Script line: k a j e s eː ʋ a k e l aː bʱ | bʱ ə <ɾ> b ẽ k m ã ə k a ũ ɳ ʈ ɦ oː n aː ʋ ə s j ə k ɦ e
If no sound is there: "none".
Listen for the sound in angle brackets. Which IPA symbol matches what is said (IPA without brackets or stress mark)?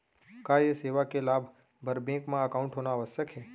ɾ